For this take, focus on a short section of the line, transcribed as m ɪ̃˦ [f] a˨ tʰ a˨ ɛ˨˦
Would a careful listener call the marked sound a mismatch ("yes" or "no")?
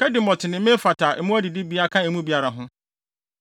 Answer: no